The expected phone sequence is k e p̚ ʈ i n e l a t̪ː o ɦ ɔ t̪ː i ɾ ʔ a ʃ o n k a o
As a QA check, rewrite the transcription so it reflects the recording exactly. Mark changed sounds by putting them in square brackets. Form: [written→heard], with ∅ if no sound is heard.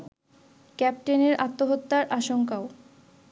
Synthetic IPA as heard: k [e→ɛ] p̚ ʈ [i→e] n e [l→ɾ] a t̪ː o ɦ [ɔ→o] t̪ː [i→a] ɾ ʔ a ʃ o [n→ŋ] k a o